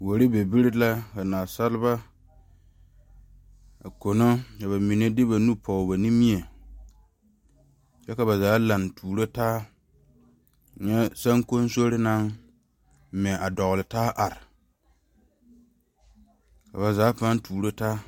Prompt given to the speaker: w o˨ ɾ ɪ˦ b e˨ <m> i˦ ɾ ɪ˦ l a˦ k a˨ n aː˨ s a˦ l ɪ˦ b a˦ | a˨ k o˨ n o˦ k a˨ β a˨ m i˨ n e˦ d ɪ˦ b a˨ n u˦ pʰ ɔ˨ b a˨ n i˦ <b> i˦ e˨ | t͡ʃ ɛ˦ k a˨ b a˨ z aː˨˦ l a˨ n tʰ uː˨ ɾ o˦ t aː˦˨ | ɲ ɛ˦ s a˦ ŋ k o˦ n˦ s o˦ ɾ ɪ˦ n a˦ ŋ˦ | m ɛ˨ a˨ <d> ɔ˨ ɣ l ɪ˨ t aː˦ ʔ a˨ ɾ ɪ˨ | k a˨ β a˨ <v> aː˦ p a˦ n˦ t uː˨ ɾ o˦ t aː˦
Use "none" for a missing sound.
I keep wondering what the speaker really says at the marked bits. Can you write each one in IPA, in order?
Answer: b, m, d, z

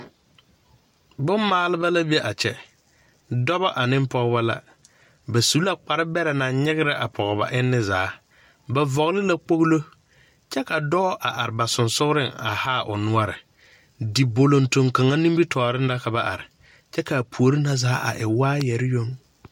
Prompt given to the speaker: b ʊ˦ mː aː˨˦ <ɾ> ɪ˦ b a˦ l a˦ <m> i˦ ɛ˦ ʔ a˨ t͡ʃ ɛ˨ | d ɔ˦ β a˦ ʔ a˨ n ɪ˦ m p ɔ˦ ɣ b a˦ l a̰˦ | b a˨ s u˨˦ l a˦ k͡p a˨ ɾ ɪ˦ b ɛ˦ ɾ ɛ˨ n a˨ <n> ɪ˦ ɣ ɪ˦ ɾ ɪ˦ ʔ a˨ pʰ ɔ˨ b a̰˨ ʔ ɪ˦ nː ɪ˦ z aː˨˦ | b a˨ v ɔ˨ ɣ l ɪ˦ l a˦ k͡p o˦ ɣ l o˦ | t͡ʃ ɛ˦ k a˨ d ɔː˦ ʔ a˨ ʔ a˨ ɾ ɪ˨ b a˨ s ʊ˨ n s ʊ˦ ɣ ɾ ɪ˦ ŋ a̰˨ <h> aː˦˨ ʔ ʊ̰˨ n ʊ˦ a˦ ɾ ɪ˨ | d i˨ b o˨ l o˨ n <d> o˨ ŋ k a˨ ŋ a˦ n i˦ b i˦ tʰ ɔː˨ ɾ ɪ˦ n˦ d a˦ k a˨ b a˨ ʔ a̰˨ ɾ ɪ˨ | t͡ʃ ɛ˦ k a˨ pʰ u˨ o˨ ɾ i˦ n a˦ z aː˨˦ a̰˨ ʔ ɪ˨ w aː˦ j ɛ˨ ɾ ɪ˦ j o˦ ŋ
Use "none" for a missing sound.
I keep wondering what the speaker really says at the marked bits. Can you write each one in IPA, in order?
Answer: l, b, ɲ, h, t

